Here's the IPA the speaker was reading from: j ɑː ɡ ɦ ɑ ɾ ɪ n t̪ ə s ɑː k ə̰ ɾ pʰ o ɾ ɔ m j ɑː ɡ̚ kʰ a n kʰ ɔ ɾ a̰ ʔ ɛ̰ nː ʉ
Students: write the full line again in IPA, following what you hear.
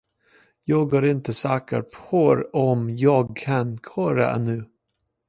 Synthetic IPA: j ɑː ɡ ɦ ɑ ɾ ɪ n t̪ ə s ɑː k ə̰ ɾ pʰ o ɾ ɔ m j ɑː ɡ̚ kʰ a n kʰ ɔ ɾ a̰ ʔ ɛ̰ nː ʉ